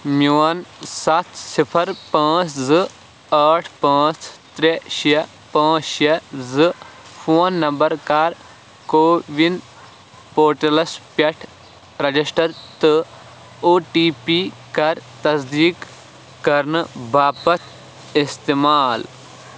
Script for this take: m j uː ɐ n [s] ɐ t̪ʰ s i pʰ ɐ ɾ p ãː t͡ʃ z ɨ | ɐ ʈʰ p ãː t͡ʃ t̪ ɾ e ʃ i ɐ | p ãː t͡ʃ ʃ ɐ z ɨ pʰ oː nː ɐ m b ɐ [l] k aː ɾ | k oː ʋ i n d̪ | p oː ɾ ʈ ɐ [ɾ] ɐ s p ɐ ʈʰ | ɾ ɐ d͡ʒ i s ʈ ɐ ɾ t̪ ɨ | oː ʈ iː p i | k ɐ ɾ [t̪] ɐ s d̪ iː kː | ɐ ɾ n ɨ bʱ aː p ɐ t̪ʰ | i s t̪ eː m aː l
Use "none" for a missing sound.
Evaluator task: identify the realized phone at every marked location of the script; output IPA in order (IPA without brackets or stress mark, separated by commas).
s, ɾ, l, t̪